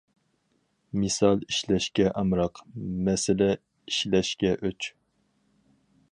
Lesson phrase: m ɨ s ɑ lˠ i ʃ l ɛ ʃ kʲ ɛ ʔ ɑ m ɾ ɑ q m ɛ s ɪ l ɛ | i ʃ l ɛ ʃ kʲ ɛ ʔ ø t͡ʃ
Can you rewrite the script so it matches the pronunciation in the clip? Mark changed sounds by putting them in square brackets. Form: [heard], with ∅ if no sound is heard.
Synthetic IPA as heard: m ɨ s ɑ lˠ i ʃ l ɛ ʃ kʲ ɛ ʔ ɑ m ɾ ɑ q m ɛ s ɪ l ɛ | i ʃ l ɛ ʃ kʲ ɛ ʔ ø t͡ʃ